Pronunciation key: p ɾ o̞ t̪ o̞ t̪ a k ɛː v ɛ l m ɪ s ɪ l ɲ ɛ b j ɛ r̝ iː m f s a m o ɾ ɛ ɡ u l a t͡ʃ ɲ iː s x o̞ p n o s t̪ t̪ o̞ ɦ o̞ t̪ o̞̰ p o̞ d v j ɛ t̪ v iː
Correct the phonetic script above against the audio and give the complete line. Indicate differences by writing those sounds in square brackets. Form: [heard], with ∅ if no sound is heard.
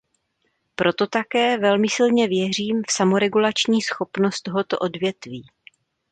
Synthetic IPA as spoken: p ɾ o̞ t̪ o̞ t̪ a k ɛː v ɛ l m ɪ s ɪ l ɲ ɛ [v] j ɛ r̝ iː m f s a m o ɾ ɛ ɡ u l a t͡ʃ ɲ iː s x o̞ p n o s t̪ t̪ o̞ ɦ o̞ t̪ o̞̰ [ʔ] o̞ d v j ɛ t̪ v iː